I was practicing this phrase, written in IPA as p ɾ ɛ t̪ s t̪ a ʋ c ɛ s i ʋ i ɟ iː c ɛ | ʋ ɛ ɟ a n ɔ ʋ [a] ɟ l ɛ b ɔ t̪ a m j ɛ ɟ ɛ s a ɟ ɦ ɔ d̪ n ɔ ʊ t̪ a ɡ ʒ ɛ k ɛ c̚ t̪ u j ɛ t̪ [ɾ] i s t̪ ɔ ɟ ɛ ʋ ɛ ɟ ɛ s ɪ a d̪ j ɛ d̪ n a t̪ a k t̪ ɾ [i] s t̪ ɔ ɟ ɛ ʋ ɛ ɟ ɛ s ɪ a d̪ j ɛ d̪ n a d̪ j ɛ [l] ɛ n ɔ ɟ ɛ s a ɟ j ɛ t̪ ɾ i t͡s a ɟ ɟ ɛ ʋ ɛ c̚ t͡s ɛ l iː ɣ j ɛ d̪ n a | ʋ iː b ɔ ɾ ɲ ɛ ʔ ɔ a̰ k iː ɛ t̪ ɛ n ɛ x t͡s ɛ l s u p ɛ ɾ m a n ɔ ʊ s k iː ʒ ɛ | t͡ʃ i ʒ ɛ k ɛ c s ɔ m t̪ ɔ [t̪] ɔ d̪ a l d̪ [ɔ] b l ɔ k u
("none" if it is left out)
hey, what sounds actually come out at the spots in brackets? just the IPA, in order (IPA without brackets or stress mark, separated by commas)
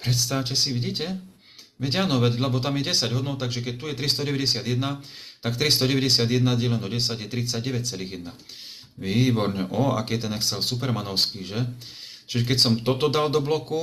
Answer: ɛ, ɾ, i, l, t̪, ɔ